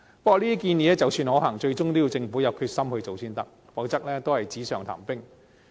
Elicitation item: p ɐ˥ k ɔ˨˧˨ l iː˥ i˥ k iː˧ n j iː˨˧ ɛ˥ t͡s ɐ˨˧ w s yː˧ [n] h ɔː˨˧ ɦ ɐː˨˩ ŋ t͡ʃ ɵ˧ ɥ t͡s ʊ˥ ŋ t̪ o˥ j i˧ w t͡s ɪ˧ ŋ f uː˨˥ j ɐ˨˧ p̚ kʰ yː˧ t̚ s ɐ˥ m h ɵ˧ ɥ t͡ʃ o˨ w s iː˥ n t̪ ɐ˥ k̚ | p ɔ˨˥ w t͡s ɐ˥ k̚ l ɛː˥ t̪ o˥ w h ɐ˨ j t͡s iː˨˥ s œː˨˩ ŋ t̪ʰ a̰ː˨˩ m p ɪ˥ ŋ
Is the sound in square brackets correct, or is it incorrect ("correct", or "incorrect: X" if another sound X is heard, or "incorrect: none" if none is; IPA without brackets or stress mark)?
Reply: correct